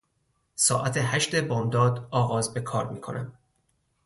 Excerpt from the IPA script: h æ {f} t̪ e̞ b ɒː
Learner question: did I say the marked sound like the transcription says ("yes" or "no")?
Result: no